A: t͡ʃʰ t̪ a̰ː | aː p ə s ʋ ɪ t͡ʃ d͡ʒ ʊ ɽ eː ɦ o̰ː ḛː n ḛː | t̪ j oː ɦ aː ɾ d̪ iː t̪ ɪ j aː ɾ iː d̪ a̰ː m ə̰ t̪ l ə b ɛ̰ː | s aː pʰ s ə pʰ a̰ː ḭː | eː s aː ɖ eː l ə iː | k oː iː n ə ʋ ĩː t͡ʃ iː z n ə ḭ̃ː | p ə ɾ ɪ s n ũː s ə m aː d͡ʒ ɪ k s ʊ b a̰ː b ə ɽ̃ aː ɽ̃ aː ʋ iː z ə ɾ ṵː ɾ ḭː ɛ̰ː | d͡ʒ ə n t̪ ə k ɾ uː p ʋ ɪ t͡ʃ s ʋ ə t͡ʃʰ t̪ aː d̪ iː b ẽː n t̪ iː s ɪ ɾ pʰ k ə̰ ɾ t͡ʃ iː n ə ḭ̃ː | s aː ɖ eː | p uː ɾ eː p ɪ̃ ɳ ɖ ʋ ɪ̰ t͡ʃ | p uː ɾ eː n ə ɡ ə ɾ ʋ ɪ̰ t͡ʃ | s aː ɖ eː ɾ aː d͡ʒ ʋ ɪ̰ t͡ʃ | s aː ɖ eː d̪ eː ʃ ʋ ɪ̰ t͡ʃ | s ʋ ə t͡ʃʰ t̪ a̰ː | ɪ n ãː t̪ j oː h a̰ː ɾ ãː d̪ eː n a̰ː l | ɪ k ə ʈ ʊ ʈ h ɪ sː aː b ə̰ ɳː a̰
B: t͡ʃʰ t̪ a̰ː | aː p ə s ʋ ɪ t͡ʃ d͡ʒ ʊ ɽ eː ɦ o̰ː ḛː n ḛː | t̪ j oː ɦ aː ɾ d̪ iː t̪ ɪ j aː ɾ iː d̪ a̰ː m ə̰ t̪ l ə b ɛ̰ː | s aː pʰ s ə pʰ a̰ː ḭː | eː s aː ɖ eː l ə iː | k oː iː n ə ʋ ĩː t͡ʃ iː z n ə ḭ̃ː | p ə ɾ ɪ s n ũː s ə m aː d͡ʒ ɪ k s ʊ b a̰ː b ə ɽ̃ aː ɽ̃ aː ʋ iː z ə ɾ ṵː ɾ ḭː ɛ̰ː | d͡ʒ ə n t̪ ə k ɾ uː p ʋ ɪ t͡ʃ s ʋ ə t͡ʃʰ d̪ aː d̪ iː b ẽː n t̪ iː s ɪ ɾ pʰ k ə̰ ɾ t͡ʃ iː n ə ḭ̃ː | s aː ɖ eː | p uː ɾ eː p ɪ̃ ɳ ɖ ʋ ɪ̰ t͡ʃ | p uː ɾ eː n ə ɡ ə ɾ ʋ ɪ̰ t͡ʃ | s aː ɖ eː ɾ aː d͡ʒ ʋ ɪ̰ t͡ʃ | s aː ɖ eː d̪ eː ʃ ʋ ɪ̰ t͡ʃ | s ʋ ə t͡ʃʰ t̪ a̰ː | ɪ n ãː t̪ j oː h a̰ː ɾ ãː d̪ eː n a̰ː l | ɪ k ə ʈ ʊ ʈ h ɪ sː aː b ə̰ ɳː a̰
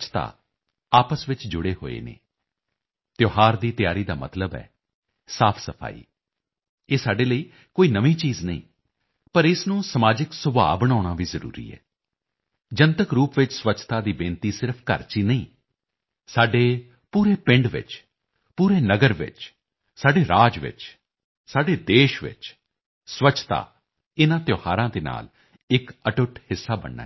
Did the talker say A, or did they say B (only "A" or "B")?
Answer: A